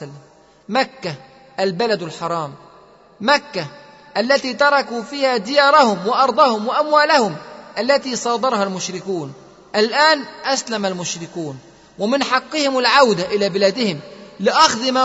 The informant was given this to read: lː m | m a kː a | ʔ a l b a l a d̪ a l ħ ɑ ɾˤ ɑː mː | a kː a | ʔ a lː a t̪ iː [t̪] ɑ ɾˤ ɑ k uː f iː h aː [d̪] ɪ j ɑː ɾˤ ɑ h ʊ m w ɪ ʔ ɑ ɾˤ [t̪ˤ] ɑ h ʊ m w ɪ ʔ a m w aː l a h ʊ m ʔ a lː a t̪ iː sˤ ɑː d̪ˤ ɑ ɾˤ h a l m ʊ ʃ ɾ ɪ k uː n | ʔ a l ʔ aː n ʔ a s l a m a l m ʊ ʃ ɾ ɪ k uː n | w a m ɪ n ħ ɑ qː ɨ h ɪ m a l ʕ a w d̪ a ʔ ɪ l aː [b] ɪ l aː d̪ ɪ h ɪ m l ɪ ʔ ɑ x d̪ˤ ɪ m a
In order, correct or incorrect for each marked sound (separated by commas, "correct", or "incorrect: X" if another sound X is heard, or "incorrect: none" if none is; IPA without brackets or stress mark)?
correct, correct, incorrect: d̪ˤ, correct